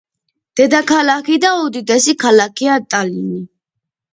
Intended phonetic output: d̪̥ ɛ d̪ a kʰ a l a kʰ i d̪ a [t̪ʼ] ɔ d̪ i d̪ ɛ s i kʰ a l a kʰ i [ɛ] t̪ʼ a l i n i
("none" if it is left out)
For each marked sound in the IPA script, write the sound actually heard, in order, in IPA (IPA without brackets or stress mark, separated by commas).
none, a